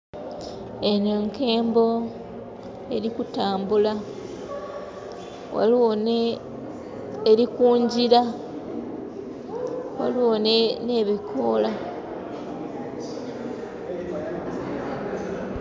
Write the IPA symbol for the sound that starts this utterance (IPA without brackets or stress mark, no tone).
e